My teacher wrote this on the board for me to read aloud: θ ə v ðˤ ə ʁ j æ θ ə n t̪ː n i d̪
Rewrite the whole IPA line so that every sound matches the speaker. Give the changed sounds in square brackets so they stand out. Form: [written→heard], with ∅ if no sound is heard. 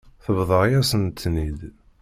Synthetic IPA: θ ə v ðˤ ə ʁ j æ [θ→s] ə n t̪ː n i d̪